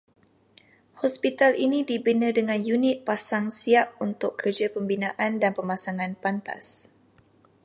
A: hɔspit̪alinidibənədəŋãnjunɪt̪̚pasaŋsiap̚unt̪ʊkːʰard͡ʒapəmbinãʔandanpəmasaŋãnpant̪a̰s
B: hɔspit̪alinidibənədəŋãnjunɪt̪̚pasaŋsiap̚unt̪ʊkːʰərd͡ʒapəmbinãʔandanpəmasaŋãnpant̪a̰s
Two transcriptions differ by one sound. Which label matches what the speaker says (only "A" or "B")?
B